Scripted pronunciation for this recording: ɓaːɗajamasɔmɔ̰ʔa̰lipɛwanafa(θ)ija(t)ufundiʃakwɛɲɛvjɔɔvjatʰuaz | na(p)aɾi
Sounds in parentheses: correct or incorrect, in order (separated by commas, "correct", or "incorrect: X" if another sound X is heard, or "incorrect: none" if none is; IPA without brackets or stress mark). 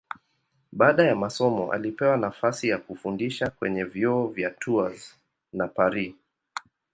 incorrect: s, incorrect: k, correct